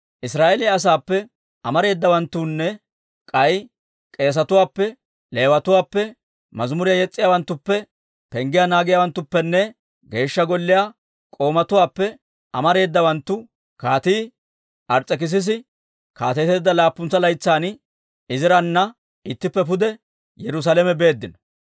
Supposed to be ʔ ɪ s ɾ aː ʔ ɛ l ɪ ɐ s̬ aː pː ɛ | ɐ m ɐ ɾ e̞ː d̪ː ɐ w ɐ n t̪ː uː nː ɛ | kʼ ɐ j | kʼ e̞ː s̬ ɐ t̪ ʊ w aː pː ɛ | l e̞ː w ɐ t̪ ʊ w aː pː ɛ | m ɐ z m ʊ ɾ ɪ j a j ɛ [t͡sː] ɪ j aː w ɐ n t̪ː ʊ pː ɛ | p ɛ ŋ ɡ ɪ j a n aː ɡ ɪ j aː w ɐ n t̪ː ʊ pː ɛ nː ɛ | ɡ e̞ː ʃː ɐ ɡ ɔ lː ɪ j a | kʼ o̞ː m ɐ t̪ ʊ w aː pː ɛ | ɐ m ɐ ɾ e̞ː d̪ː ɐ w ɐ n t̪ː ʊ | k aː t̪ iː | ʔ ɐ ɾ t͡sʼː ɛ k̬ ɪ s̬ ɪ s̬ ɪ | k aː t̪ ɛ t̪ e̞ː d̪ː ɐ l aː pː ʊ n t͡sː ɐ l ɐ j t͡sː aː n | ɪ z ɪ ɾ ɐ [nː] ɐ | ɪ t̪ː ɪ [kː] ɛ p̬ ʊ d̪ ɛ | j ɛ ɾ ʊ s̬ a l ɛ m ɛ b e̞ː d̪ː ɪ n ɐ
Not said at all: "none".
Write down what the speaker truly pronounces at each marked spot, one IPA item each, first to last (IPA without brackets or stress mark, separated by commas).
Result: t͡sʼː, nː, pː